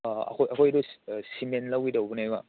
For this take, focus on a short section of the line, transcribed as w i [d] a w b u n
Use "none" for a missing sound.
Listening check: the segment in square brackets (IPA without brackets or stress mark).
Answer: d